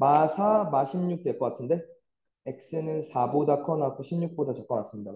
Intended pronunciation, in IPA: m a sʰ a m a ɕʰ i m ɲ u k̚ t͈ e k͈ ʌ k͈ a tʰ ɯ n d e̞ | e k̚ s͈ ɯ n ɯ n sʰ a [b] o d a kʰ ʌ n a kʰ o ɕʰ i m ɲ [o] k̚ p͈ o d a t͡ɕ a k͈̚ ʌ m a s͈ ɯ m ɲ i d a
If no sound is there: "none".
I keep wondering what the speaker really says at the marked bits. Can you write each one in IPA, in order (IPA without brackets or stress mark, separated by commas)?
b, u